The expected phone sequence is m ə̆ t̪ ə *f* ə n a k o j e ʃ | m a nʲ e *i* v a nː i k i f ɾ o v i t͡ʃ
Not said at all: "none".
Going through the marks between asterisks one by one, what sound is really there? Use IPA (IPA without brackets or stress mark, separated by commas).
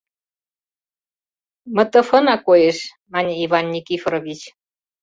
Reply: f, i